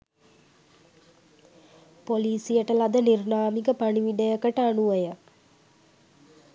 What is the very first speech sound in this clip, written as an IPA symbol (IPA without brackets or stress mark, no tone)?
p